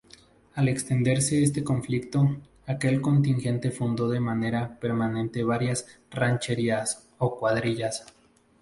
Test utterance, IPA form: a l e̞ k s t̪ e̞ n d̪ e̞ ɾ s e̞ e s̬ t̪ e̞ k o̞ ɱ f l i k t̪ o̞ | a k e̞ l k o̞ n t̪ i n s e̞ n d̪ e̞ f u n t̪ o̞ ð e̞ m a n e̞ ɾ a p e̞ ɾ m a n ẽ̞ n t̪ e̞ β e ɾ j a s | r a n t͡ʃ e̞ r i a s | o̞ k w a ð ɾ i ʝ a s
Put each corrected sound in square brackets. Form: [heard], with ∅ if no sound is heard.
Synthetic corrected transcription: a l e̞ k s t̪ e̞ n d̪ e̞ ɾ s e̞ e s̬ t̪ e̞ k o̞ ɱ f l i k t̪ o̞ | a k e̞ l k o̞ n t̪ i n [x] e̞ n [t̪] e̞ f u n [d̪] o̞ ð e̞ m a n e̞ ɾ a p e̞ ɾ m a n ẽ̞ n t̪ e̞ β [a] ɾ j a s | r a n t͡ʃ e̞ [ɾ] i a s | o̞ k w a ð ɾ i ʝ a s